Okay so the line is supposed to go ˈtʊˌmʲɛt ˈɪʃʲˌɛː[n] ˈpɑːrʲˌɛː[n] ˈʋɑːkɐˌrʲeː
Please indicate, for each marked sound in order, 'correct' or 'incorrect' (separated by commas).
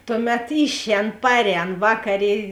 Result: correct, correct